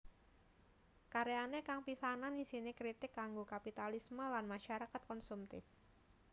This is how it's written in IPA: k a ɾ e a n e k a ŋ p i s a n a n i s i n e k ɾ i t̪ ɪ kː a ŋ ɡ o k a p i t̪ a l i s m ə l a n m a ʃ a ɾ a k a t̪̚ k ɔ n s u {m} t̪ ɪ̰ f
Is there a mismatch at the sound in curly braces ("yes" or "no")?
no